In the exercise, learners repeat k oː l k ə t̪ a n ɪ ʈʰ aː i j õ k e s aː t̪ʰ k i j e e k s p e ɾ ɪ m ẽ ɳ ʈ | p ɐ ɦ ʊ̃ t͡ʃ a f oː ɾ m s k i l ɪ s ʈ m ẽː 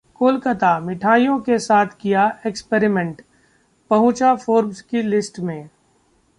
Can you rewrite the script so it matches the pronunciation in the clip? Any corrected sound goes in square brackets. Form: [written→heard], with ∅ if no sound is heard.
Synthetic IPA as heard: k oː l k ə t̪ a [n→m] ɪ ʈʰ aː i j õ k e s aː t̪ʰ k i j [e→a] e k s p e ɾ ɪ m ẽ ɳ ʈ | p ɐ ɦ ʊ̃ t͡ʃ a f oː ɾ m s k i l ɪ s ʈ m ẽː

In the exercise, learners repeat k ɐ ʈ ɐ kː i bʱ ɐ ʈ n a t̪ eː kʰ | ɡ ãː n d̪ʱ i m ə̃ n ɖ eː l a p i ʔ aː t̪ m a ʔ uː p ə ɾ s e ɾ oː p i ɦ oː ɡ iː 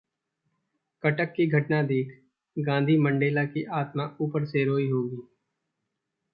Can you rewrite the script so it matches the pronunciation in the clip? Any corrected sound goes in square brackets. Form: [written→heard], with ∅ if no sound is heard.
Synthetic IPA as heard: k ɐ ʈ [ɐ→ə] kː i [bʱ→ɡʱ] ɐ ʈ n a [t̪→d̪] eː kʰ | ɡ ãː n d̪ʱ i m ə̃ [n→ɳ] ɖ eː l a [p→k] i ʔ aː t̪ m a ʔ uː p ə ɾ s e ɾ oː [p→∅] i ɦ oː ɡ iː

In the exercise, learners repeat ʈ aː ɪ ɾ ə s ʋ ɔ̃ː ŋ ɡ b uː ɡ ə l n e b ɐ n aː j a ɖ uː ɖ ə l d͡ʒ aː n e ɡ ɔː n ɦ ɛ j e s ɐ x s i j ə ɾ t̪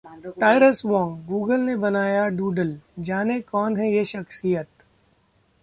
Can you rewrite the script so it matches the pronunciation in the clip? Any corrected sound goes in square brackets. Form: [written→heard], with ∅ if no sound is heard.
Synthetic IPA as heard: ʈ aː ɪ ɾ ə s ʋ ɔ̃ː ŋ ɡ [b→ɡ] uː ɡ ə l n e b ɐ n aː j a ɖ uː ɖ ə l d͡ʒ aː n e [ɡ→k] ɔː n ɦ ɛ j e [s→ʃ] ɐ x s i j ə [ɾ→∅] t̪

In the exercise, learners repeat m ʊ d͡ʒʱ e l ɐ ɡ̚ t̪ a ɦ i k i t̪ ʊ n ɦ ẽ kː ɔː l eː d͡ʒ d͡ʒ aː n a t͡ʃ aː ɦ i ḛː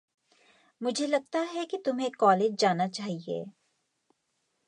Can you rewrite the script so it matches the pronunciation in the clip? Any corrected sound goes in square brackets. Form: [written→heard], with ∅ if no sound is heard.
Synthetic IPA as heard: m ʊ d͡ʒʱ e l ɐ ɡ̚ t̪ a ɦ [i→ɛ] k i t̪ ʊ [n→m] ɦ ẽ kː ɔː l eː d͡ʒ d͡ʒ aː n a t͡ʃ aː ɦ i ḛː

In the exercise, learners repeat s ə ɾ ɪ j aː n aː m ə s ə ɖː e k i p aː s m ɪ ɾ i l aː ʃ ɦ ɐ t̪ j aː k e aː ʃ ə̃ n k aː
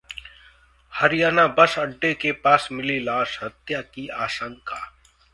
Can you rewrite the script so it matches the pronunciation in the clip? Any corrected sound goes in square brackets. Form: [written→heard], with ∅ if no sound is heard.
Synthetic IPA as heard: [s→h] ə ɾ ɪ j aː n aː [m→b] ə s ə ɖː e k [i→e] p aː s m ɪ [ɾ→l] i l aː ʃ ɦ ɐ t̪ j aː k [e→i] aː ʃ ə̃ [n→ŋ] k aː

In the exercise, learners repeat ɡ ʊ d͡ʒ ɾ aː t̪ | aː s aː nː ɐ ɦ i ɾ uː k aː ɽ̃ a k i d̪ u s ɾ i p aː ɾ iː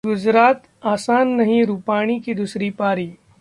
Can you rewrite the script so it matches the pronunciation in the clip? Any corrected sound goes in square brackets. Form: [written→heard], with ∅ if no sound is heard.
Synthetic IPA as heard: ɡ ʊ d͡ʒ ɾ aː t̪ | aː s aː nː ɐ ɦ [i→ĩ] ɾ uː [k→p] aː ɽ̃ [a→i] k i d̪ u s ɾ i p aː ɾ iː

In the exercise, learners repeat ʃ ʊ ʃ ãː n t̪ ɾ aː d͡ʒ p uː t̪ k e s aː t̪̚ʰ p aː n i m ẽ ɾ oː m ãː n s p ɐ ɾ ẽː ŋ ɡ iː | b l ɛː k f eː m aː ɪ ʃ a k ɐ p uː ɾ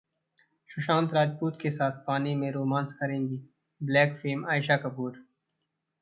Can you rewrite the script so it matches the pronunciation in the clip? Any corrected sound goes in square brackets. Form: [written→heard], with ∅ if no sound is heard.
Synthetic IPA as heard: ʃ ʊ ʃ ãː n t̪ ɾ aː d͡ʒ p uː t̪ k e s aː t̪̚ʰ p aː n i m ẽ ɾ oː m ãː n s [p→k] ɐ ɾ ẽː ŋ ɡ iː | b l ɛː k f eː m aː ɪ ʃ a k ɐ p uː ɾ

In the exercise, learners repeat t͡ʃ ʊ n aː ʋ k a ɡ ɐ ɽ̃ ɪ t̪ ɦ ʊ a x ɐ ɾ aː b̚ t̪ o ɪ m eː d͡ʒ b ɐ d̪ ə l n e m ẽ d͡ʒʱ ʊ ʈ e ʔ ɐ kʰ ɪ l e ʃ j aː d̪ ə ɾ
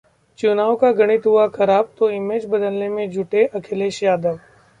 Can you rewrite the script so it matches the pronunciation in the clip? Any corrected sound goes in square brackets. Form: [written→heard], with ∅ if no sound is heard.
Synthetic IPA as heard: t͡ʃ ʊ n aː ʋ k a ɡ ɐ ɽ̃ ɪ t̪ ɦ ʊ a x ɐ ɾ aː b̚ t̪ o ɪ m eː d͡ʒ b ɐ d̪ ə l n e m ẽ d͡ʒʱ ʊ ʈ e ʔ ɐ kʰ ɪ l e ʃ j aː d̪ ə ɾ

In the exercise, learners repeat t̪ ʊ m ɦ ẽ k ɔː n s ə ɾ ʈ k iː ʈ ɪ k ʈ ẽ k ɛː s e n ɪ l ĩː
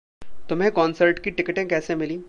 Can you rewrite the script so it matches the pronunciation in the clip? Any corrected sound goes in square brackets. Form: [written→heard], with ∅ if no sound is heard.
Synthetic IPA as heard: t̪ ʊ m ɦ ẽ k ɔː n s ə ɾ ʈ k [iː→i] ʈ ɪ k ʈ ẽ k ɛː s e [n→m] ɪ l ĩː

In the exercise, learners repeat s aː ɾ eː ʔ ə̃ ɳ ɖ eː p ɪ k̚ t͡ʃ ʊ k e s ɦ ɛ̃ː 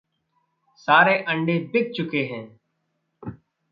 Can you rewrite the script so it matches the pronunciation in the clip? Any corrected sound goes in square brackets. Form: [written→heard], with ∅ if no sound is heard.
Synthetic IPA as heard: s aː ɾ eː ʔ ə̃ ɳ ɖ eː [p→b] ɪ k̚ t͡ʃ ʊ k e [s→∅] ɦ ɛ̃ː

